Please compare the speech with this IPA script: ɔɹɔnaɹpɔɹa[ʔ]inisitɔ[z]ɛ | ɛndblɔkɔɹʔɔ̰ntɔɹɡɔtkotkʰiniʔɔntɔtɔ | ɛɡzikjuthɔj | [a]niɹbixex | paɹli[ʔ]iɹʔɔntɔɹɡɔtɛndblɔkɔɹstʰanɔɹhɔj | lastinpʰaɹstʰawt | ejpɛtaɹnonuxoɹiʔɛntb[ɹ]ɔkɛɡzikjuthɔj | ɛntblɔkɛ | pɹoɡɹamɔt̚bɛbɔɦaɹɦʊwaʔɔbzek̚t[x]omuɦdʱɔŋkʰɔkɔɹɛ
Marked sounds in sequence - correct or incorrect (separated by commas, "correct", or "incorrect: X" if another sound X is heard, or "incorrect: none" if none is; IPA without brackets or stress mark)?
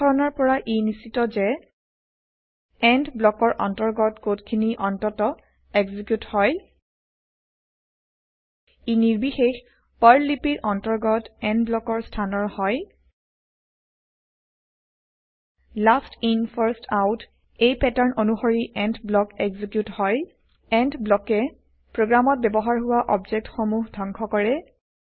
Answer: correct, correct, incorrect: i, incorrect: p, incorrect: l, correct